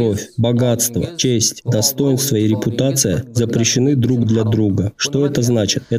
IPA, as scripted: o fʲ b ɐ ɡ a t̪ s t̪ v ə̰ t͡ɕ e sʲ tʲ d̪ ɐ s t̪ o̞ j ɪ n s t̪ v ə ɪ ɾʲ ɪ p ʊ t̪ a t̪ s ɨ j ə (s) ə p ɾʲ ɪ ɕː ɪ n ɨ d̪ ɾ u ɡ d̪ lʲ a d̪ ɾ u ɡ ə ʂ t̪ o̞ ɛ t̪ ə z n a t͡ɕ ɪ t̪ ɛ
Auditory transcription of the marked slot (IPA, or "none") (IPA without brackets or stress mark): z